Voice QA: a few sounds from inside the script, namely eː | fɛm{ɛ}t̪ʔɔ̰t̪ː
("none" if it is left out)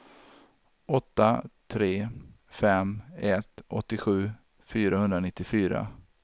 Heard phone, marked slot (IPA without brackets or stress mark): ɛ